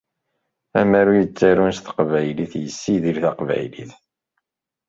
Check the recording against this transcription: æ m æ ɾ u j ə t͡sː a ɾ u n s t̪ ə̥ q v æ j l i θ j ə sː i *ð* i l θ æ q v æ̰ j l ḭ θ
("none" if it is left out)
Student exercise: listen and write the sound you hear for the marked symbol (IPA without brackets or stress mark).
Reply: ð